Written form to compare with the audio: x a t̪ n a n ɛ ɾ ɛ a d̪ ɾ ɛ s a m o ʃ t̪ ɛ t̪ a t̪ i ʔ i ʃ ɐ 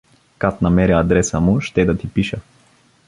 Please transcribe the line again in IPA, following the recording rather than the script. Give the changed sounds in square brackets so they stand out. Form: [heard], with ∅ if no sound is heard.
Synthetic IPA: [k] a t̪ n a [m] ɛ ɾ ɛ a d̪ ɾ ɛ s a m [u] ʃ t̪ ɛ [d̪] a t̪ i [p] i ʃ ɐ